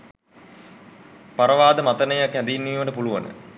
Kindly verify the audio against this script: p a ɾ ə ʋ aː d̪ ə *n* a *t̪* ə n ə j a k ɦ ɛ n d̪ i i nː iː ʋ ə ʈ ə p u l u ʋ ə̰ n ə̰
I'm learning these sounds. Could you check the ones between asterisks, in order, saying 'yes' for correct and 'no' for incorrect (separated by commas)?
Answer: no, yes